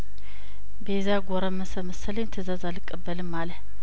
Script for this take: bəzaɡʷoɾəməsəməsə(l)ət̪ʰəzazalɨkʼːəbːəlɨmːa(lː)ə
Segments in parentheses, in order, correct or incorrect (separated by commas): correct, incorrect